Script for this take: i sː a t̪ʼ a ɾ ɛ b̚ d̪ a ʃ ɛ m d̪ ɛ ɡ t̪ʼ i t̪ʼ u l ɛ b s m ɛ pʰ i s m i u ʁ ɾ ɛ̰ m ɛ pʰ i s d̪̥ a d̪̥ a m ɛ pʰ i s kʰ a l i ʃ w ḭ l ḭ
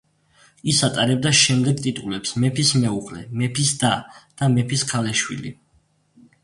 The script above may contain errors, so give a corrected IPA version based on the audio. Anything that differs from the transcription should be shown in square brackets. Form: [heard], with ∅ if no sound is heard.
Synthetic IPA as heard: i [s] a t̪ʼ a ɾ ɛ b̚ d̪ a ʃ ɛ m d̪ ɛ ɡ t̪ʼ i t̪ʼ u l ɛ [p] s m ɛ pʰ i s m [ɛ] u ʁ [l] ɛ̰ m ɛ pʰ i s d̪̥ a d̪̥ a m ɛ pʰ i s kʰ a l [ɛ] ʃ w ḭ l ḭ